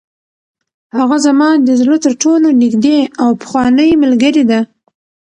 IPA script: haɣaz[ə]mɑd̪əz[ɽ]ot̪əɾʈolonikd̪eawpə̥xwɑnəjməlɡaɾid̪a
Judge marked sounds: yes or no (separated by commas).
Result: no, no